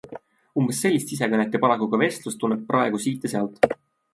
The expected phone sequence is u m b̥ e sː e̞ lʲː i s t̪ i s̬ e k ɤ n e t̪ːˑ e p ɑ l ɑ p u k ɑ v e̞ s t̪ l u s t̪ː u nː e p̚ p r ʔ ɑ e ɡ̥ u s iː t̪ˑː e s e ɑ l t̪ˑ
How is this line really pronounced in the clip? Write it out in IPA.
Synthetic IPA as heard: u m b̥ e sː e̞ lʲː i s t̪ i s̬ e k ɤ n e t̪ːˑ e p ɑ l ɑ k u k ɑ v e̞ s t̪ l u s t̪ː u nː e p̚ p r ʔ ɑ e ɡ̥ u s iː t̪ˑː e s e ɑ l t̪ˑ